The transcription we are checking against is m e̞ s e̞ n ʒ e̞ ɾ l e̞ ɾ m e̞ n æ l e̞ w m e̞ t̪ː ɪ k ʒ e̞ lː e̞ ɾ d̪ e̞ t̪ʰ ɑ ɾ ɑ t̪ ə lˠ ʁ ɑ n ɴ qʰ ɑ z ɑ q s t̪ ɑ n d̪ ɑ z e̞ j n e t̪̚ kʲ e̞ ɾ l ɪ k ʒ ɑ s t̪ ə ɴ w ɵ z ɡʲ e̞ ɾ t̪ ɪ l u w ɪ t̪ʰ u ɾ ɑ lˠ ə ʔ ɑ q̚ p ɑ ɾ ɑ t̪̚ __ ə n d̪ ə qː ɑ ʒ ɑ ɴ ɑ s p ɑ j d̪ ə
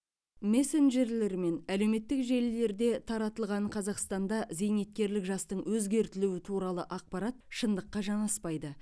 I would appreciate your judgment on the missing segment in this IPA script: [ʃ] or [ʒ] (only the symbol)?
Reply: ʃ